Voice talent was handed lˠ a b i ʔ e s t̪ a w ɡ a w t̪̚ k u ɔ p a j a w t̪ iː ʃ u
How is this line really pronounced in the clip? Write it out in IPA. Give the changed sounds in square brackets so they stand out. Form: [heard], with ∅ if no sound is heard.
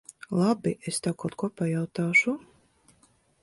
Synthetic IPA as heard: lˠ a b i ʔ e s t̪ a w [k] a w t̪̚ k u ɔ p a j a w t̪ [aː] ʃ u